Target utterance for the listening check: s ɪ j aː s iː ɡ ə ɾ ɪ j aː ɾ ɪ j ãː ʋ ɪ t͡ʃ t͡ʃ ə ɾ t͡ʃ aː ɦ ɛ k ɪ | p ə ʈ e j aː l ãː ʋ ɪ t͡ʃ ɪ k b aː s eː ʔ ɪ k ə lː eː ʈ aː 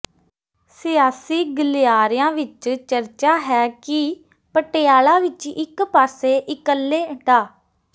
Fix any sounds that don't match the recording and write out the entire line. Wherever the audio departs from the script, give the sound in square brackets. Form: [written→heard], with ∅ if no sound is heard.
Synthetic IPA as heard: s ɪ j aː s iː ɡ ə [ɾ→l] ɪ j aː ɾ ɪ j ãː ʋ ɪ t͡ʃ t͡ʃ ə ɾ t͡ʃ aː ɦ [ɛ→ɛː] k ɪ | p ə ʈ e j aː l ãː ʋ ɪ t͡ʃ ɪ k [b→p] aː s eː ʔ ɪ k ə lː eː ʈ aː